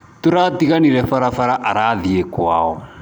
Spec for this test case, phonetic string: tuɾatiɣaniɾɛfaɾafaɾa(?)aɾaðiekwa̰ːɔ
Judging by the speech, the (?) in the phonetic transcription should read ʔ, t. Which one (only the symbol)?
ʔ